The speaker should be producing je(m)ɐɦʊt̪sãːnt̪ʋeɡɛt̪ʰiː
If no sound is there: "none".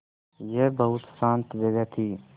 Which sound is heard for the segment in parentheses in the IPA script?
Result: b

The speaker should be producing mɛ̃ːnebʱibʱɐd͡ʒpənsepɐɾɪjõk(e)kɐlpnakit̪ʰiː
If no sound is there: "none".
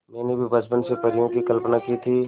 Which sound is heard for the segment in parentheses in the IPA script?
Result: i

